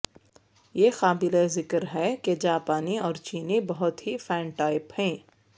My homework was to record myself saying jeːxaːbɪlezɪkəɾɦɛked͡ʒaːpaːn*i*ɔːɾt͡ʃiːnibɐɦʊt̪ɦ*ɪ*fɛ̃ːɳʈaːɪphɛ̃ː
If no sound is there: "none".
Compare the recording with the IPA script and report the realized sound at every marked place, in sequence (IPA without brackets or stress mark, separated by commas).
i, i